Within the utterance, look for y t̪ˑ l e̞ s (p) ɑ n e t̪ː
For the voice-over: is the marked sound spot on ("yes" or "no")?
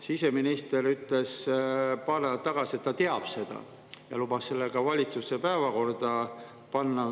yes